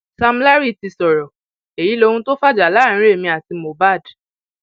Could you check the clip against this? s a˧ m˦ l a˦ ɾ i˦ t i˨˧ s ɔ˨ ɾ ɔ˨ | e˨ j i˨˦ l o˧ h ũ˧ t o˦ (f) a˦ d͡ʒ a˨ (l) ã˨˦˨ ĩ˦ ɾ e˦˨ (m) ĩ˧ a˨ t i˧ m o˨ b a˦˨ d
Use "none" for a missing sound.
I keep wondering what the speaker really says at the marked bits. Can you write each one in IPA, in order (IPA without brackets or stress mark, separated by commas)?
f, l, m